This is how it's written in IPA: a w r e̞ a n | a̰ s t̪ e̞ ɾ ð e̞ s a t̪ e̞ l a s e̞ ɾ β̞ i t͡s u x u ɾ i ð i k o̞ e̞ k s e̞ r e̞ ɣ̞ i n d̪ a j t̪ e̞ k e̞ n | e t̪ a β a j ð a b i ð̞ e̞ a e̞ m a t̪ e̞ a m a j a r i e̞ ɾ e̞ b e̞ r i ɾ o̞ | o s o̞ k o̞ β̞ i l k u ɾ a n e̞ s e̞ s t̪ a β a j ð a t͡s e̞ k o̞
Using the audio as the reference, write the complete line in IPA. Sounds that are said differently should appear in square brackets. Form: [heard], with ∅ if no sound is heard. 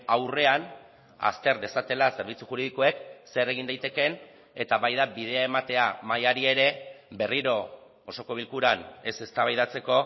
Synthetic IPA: a w r e̞ a n | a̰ s t̪ e̞ ɾ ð e̞ s a t̪ e̞ l a s e̞ ɾ β̞ i t͡s u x u ɾ i ð i k o̞ e̞ k s e̞ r e̞ ɣ̞ i n d̪ a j t̪ e̞ k e̞ n | e t̪ a β a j ð a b i ð̞ e̞ a e̞ m a t̪ e̞ a m a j a [ɾ] i e̞ ɾ e̞ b e̞ r i ɾ o̞ | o s o̞ k o̞ β̞ i l k u ɾ a n e̞ s e̞ s t̪ a β a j ð a t͡s e̞ k o̞

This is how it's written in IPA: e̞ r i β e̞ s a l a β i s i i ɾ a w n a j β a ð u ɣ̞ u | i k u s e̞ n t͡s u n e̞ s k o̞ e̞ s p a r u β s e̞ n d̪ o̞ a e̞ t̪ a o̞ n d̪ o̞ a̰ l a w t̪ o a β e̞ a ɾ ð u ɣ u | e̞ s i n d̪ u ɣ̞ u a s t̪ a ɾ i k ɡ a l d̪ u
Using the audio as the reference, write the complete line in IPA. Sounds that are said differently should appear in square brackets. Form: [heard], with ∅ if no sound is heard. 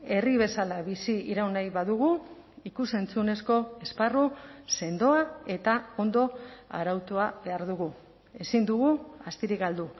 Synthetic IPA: e̞ r i β e̞ s a l a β i s i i ɾ a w n a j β a ð u ɣ̞ u | i k u s e̞ n t͡s u n e̞ s k o̞ e̞ s p a r u [∅] s e̞ n d̪ o̞ a e̞ t̪ a o̞ n d̪ o̞ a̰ [ɾ] a w t̪ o a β e̞ a ɾ ð u ɣ u | e̞ s i n d̪ u ɣ̞ u a s t̪ [i] ɾ i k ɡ a l d̪ u

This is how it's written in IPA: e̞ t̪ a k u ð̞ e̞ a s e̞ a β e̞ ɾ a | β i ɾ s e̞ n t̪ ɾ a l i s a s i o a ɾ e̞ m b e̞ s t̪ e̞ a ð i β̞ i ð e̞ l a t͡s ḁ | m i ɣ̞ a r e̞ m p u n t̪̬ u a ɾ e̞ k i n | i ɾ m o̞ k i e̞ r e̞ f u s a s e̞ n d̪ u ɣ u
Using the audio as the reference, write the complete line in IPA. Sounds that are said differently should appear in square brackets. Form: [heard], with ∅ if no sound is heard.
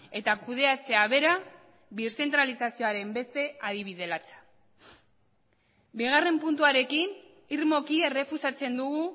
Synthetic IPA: e̞ t̪ a k u ð̞ e̞ a [t͡s] e̞ a β e̞ ɾ a | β i ɾ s e̞ n t̪ ɾ a l i s a s i o a ɾ e̞ m b e̞ s t̪ e̞ a ð i β̞ i ð e̞ l a t͡s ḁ | [b] i ɣ̞ a r e̞ m p u n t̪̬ u a ɾ e̞ k i n | i ɾ m o̞ k i e̞ r e̞ f u s a [t͡s] e̞ n d̪ u ɣ u

